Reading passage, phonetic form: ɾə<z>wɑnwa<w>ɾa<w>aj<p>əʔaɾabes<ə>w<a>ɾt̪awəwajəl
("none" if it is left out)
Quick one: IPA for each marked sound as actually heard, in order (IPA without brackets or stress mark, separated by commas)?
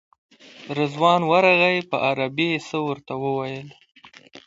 z, none, ɣ, p, ə, ə